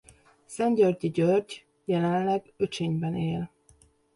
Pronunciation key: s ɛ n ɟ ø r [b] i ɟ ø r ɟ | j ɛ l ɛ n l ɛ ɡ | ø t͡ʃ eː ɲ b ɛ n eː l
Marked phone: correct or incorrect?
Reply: incorrect